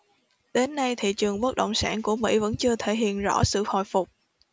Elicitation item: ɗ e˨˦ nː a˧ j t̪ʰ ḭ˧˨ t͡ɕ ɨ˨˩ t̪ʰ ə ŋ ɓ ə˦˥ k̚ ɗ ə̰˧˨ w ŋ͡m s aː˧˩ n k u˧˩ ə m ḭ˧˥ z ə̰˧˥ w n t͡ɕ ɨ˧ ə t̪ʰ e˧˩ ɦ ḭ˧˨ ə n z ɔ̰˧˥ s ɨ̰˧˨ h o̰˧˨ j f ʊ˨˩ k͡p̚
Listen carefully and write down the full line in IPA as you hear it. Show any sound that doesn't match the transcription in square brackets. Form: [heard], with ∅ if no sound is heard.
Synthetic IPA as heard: ɗ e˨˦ nː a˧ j t̪ʰ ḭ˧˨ t͡ɕ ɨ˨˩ [∅] ə ŋ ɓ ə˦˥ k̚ ɗ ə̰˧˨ w ŋ͡m s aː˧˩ n k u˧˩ ə m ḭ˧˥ [v] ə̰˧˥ [∅] n t͡ɕ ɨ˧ ə t̪ʰ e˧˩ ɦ ḭ˧˨ ə n z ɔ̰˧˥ s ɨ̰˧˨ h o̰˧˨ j f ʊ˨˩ k͡p̚